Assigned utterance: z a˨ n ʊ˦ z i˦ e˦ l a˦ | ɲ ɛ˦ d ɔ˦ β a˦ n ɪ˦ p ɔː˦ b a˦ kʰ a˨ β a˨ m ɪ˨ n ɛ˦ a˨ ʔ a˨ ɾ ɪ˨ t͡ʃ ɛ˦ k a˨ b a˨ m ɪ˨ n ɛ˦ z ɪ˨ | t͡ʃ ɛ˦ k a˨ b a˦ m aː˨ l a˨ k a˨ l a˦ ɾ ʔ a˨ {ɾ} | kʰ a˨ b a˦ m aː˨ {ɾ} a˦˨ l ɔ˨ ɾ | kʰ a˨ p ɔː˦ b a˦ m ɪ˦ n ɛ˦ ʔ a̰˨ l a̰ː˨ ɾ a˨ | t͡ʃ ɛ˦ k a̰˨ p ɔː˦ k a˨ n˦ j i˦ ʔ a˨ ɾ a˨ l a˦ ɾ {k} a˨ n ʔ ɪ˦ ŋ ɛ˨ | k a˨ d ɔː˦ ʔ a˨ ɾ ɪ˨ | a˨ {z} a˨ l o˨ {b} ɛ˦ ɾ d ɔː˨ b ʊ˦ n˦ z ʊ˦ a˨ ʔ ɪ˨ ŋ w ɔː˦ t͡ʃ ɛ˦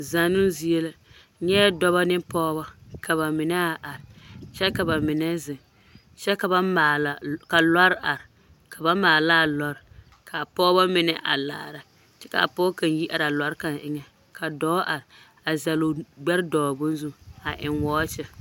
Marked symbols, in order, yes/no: yes, no, yes, yes, no

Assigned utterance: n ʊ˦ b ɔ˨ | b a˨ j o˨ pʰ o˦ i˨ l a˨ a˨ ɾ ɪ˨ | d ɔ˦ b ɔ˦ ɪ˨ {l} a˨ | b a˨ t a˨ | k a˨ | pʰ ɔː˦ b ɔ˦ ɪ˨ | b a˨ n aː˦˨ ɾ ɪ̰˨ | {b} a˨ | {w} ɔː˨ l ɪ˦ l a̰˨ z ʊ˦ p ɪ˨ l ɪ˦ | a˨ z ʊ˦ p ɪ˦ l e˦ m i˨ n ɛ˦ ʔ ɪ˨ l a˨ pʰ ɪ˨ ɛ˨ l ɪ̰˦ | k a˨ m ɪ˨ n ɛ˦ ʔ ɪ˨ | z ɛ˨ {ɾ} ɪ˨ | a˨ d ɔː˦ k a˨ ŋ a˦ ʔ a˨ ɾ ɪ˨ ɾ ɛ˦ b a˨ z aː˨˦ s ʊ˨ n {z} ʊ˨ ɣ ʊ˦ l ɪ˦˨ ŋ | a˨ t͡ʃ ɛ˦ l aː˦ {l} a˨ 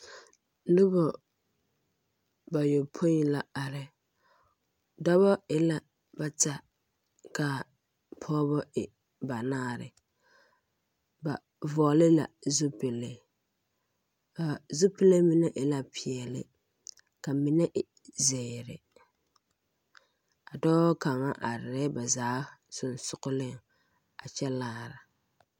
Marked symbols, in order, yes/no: yes, yes, no, yes, no, no

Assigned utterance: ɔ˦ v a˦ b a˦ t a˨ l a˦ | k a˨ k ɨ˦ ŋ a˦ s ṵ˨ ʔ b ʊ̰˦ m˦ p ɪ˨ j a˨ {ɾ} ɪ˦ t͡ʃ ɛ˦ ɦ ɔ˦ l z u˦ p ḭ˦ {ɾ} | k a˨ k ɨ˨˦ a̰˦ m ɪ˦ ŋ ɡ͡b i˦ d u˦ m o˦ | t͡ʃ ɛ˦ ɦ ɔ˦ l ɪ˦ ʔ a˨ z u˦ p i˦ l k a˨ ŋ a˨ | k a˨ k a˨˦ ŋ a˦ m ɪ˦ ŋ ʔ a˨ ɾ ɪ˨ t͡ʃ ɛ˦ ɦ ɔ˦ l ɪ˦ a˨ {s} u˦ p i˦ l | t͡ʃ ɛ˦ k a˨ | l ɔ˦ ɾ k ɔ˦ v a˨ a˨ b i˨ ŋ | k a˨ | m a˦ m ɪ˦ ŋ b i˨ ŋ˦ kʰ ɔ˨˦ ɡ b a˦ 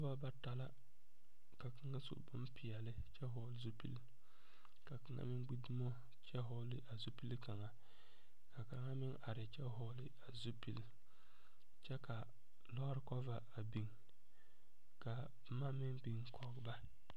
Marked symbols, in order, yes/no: no, no, no

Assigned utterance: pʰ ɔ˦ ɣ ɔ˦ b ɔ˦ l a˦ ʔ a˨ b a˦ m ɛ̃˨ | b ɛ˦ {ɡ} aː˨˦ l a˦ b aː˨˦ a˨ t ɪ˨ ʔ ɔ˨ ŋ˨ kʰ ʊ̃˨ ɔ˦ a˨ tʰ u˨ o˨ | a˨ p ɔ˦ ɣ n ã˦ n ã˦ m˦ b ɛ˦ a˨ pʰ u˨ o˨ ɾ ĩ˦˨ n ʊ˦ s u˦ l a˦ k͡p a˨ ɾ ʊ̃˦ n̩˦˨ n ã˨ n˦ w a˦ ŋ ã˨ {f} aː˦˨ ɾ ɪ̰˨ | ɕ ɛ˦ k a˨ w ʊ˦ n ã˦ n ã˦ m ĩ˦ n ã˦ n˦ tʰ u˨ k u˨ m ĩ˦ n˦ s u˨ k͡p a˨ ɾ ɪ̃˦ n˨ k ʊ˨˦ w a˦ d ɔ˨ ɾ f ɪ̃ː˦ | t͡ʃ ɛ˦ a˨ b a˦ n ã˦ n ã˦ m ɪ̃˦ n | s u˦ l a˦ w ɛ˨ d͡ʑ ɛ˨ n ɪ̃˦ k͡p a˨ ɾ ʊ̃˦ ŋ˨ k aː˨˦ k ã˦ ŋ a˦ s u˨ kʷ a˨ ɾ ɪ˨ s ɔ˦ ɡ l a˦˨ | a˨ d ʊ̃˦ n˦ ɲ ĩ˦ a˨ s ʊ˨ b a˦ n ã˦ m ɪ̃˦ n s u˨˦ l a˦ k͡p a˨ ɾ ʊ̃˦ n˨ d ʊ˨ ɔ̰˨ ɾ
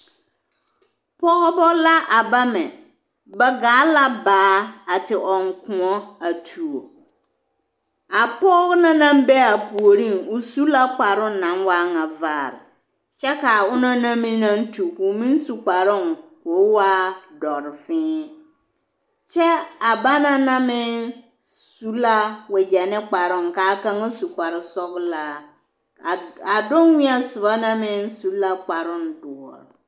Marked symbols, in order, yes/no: yes, no

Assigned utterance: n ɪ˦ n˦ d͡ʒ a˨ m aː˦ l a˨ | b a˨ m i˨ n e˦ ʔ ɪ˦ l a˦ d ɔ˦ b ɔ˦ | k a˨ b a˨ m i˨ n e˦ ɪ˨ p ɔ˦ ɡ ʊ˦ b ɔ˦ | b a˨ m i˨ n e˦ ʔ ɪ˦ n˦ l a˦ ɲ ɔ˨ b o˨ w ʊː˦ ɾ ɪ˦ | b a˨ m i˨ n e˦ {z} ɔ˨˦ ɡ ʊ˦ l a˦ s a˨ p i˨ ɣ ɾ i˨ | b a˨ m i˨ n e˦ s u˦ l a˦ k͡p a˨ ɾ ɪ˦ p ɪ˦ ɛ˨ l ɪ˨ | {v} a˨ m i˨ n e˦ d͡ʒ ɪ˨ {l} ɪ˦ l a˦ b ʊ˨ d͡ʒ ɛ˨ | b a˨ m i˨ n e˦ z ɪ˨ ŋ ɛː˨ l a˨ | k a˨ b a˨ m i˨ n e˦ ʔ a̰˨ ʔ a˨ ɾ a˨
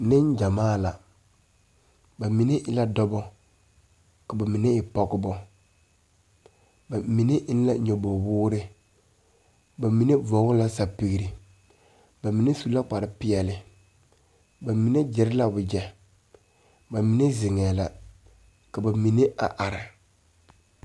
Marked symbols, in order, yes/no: no, no, no

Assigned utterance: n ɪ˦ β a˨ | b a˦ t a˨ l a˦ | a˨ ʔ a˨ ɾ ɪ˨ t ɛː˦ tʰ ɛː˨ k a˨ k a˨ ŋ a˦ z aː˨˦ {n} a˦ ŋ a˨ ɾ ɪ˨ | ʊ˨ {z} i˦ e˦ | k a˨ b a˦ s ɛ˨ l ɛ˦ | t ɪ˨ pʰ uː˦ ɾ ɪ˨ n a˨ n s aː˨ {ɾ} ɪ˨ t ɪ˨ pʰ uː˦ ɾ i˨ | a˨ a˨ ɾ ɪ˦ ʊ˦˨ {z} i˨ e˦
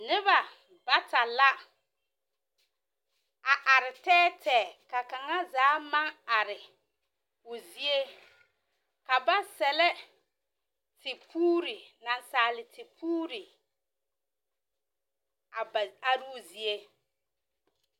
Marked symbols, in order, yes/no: no, yes, no, yes

